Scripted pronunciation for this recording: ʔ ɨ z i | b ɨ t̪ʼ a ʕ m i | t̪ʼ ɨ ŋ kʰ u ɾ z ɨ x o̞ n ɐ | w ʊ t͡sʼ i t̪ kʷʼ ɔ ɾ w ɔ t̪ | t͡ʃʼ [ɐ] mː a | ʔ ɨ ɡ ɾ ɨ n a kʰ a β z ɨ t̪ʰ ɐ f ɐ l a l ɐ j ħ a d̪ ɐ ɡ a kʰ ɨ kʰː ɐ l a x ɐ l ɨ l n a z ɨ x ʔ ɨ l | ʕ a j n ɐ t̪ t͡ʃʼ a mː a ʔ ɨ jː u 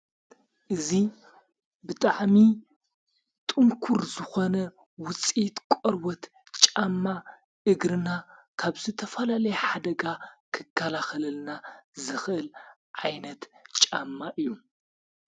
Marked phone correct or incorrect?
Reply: incorrect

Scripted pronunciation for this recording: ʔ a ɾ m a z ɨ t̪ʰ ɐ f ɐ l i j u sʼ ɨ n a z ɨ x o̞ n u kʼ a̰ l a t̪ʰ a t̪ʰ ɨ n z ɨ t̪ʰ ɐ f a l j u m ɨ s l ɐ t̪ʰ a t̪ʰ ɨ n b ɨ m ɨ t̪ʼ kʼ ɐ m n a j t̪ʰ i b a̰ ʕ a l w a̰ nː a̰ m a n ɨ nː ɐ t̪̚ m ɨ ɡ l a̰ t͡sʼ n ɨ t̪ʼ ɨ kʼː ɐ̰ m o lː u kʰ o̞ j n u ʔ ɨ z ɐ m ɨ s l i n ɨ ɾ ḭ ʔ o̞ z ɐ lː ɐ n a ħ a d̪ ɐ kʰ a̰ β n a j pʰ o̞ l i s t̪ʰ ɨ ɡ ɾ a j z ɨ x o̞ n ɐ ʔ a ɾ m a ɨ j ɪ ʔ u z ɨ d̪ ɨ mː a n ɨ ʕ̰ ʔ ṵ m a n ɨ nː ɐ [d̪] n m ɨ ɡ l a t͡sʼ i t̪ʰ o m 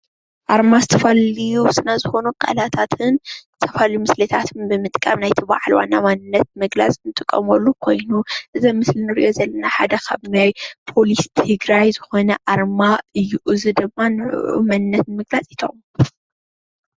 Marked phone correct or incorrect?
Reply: incorrect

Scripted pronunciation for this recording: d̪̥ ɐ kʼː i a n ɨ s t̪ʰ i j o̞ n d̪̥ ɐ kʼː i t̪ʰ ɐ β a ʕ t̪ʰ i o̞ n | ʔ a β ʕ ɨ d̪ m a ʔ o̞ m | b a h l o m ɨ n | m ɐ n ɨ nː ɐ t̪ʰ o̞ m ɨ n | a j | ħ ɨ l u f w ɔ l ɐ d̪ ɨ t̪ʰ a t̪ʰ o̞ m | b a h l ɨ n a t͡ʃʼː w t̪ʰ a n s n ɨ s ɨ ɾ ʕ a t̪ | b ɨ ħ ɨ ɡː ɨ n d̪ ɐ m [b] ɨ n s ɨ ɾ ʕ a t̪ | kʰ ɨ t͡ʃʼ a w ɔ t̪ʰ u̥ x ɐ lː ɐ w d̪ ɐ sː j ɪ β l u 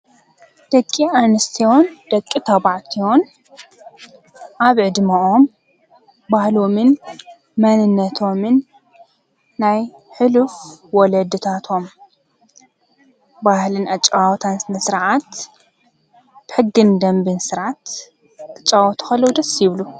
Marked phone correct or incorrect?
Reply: correct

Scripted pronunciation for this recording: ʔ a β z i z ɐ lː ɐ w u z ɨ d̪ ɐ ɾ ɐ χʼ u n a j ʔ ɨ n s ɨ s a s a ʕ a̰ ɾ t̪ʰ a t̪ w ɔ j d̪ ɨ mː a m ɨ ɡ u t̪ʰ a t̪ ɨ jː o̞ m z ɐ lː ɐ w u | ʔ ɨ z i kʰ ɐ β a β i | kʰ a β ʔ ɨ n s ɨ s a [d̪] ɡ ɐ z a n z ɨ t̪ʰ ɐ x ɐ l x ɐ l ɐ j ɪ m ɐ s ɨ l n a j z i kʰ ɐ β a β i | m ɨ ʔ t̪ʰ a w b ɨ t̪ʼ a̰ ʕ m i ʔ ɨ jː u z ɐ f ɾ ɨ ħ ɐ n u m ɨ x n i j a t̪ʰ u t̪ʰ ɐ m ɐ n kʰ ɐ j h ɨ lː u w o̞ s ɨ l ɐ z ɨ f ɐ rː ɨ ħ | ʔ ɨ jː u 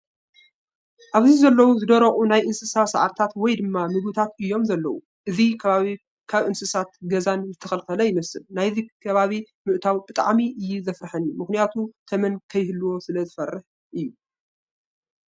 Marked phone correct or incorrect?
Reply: incorrect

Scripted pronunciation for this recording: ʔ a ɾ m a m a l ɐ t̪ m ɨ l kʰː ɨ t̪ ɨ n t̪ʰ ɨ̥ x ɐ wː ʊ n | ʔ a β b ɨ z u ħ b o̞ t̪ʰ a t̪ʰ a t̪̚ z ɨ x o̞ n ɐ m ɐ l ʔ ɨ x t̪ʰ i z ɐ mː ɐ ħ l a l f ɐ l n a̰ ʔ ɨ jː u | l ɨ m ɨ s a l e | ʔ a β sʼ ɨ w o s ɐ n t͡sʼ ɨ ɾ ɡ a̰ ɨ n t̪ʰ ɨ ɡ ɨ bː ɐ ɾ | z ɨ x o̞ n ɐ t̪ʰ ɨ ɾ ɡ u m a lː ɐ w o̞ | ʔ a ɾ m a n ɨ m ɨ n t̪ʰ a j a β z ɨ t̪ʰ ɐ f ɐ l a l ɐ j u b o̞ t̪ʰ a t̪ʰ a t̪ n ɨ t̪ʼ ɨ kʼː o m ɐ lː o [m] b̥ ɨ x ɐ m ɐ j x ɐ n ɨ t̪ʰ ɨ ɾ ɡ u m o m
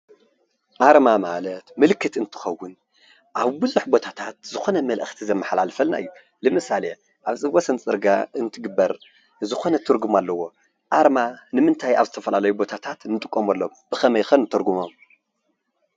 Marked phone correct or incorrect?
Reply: correct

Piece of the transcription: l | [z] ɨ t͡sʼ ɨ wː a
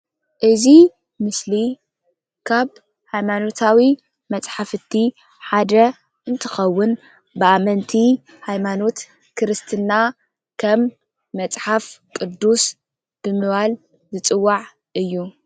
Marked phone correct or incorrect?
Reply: correct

